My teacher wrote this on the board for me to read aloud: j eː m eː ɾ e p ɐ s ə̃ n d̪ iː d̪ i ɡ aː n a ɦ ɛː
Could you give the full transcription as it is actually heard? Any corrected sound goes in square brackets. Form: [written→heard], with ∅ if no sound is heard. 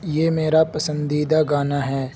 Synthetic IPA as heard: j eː m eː ɾ [e→a] p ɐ s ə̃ n d̪ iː d̪ [i→a] ɡ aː n a ɦ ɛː